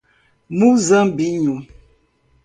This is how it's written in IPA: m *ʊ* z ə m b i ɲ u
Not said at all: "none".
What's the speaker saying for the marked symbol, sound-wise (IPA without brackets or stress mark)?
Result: u